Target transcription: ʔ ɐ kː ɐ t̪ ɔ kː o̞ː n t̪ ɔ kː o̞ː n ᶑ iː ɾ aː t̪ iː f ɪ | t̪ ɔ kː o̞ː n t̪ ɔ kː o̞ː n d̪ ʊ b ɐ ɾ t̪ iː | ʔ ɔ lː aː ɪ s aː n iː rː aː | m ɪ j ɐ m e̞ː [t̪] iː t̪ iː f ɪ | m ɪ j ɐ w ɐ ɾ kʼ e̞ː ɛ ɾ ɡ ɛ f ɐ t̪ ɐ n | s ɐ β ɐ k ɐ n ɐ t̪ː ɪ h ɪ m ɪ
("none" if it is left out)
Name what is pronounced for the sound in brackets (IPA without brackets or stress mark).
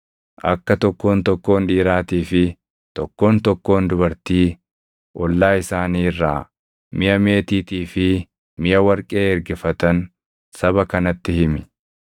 t̪